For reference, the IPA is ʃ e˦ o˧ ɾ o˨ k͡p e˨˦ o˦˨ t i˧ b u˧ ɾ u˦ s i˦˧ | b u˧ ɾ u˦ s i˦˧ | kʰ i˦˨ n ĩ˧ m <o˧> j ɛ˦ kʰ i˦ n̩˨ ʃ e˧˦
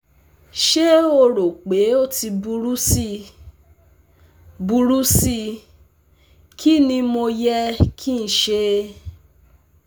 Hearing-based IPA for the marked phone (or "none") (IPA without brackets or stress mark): o˧